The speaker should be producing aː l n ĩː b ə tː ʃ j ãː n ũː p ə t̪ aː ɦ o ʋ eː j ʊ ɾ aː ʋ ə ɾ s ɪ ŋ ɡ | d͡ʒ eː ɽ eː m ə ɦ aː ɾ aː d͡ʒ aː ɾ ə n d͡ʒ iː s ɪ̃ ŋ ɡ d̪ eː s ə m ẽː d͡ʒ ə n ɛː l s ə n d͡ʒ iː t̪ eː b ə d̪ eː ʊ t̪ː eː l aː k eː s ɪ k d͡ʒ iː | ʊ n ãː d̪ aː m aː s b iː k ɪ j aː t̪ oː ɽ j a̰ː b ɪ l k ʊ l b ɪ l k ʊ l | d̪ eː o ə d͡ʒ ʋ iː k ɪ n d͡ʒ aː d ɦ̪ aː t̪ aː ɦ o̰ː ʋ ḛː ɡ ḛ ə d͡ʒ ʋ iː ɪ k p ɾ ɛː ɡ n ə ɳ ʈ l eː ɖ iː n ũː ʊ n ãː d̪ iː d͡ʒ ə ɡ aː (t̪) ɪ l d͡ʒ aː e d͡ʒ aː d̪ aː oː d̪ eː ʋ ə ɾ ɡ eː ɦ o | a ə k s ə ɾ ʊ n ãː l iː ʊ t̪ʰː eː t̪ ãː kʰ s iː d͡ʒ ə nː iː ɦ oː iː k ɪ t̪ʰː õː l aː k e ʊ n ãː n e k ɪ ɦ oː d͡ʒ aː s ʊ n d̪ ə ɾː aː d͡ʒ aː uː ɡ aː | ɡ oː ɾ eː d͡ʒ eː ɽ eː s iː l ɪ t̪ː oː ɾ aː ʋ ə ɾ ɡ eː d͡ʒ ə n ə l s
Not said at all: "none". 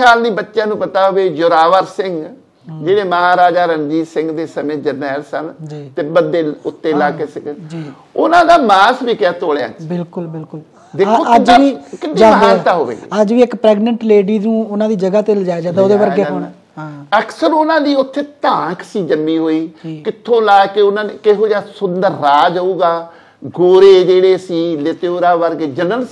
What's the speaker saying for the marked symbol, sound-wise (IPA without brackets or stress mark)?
t̪